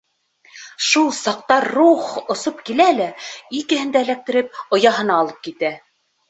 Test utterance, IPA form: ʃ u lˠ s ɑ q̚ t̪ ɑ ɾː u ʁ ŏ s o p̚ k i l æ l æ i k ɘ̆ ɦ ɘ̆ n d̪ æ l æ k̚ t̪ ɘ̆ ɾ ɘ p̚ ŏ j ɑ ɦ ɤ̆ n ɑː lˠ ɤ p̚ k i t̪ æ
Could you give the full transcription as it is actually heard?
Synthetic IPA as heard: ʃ u lˠ s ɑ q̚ t̪ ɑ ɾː u χ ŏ s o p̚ k i l æ l æ i k ɘ̆ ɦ ɘ̆ n d̪ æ l æ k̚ t̪ ɘ̆ ɾ ɘ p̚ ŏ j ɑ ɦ ɤ̆ n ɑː lˠ ɤ p̚ k i t̪ æ